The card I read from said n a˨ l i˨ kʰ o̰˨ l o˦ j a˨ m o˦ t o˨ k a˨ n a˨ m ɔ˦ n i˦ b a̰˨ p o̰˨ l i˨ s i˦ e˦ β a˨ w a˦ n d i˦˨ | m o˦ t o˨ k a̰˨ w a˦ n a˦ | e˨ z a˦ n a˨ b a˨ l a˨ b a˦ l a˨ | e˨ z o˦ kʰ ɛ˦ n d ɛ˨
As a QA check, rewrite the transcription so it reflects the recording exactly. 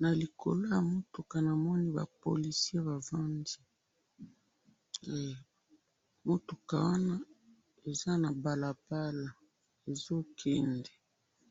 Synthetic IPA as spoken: n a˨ l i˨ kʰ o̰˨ l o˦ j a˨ m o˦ t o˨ k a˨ n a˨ m ɔ˦ n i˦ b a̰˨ p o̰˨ l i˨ s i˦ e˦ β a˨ v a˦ n d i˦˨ | m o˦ t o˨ k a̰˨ w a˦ n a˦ | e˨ z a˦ n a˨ b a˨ l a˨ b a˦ l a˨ | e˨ z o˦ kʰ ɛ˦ n d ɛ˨